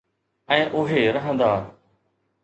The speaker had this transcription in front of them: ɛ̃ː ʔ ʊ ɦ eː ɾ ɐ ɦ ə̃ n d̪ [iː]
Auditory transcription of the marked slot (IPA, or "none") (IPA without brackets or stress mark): aː